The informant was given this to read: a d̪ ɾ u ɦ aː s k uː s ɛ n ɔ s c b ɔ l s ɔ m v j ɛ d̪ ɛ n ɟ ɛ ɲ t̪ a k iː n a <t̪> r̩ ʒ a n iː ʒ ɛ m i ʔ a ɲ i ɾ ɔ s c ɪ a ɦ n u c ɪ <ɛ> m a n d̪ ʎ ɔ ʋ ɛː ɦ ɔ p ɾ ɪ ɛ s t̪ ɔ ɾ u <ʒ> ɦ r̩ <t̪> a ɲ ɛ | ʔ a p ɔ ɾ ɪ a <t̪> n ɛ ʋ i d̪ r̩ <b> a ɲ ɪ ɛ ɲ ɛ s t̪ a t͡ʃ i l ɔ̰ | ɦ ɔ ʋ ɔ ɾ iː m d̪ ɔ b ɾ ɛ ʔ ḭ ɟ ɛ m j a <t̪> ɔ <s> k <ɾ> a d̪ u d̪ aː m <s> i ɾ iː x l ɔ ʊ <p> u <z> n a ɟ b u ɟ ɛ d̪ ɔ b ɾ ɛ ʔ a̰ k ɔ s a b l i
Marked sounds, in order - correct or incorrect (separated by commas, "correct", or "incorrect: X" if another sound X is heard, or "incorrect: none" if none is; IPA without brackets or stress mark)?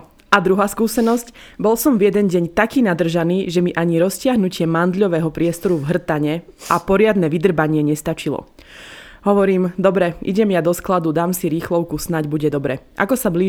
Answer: incorrect: d̪, correct, incorrect: v, correct, incorrect: d̪, correct, incorrect: d̪, correct, incorrect: l, correct, incorrect: k, incorrect: s